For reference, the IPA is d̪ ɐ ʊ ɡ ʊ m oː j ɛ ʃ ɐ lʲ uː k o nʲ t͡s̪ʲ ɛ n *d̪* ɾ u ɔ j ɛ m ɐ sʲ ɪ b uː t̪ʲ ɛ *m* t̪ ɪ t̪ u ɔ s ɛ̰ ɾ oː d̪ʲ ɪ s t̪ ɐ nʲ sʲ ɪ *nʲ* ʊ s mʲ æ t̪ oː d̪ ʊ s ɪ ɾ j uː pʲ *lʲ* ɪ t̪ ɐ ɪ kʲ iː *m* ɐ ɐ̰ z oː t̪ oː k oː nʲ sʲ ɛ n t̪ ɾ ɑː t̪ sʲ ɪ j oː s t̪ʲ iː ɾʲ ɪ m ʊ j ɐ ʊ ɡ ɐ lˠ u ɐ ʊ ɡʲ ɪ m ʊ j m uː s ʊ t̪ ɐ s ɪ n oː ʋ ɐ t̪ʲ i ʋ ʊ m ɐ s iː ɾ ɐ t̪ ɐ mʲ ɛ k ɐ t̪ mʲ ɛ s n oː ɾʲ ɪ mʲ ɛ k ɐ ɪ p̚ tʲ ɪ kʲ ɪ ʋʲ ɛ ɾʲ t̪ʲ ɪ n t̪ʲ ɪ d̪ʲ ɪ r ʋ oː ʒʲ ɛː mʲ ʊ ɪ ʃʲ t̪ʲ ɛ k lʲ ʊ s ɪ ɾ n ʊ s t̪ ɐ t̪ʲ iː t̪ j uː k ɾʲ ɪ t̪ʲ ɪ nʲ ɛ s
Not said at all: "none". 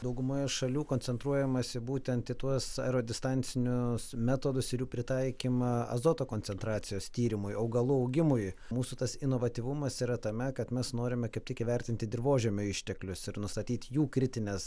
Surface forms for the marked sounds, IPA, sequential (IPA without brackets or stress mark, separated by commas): t̪, n, nʲ, ɾʲ, m